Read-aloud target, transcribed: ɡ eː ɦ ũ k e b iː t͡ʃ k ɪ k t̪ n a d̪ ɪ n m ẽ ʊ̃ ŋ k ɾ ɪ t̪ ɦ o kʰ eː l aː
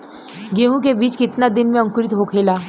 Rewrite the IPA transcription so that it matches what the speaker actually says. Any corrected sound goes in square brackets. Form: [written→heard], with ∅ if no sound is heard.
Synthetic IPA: ɡ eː ɦ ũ k e b iː t͡ʃ k ɪ [k→∅] t̪ n a d̪ ɪ n m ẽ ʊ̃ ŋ k ɾ ɪ t̪ ɦ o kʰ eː l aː